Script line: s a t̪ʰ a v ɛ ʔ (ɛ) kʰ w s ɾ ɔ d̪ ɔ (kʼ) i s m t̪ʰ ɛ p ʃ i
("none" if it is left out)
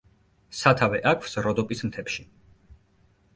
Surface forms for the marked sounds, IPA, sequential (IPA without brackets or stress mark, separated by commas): a, pʼ